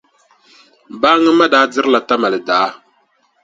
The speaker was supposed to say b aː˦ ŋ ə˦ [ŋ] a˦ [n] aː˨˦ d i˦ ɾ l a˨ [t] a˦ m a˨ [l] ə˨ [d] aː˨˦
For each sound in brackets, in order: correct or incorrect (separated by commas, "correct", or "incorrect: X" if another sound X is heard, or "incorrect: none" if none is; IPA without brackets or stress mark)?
incorrect: m, incorrect: d, correct, correct, correct